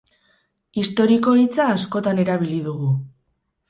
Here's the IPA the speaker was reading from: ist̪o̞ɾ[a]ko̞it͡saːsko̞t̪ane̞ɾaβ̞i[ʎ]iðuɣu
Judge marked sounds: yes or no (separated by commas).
no, no